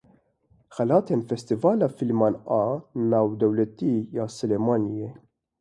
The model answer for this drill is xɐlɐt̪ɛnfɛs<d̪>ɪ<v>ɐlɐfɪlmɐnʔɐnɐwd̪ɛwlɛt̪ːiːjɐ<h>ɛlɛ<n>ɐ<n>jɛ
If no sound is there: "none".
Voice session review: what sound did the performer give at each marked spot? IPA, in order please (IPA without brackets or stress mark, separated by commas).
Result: t̪, v, s, m, n